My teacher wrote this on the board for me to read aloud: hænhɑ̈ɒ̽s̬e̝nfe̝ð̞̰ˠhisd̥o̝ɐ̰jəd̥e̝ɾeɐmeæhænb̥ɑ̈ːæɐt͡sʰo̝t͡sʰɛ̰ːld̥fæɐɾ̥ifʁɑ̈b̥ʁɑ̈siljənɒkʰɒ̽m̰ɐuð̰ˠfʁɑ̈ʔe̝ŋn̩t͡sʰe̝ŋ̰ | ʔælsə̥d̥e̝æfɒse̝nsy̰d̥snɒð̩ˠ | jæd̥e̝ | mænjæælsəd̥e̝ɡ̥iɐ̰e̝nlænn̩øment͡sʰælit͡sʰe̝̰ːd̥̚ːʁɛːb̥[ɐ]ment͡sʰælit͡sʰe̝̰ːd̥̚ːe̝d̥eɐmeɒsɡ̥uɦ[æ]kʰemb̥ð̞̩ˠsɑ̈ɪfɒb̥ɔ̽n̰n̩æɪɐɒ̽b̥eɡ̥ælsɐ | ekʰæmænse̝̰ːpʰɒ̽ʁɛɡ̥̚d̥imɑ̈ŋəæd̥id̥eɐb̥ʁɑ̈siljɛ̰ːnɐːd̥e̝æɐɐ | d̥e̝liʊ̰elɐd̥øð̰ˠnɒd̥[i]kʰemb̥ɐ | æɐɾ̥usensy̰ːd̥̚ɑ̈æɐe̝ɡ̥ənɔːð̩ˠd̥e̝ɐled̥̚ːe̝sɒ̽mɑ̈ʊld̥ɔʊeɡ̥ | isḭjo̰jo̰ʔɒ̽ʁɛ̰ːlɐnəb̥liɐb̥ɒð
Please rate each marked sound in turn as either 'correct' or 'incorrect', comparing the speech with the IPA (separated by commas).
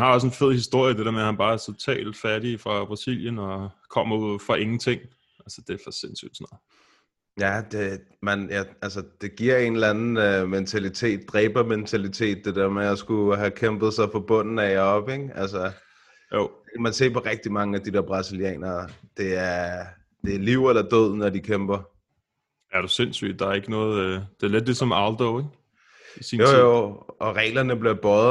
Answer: correct, correct, correct